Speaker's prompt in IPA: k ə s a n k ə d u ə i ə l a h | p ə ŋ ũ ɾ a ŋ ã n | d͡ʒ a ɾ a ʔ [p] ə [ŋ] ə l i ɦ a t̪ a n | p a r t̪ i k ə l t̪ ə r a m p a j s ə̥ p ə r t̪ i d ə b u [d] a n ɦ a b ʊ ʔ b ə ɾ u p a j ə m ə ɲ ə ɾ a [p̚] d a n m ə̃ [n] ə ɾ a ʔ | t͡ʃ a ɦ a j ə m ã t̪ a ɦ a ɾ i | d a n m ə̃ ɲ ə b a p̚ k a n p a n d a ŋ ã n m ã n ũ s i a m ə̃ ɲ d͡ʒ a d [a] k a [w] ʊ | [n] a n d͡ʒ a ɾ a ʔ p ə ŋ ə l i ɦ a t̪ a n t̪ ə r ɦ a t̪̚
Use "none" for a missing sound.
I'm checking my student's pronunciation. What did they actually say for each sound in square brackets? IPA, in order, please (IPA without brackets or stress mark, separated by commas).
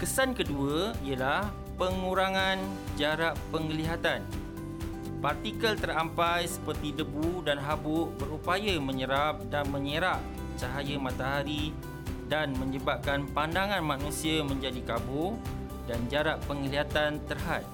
p, ŋ, d, p̚, ɲ, i, b, d